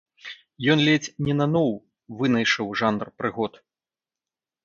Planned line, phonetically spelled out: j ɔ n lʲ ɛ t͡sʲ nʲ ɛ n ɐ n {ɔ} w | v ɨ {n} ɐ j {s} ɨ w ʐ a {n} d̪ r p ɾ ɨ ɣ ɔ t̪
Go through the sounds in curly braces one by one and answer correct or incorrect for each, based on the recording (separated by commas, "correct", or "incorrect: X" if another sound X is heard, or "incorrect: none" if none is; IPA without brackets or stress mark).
correct, correct, incorrect: ʂ, correct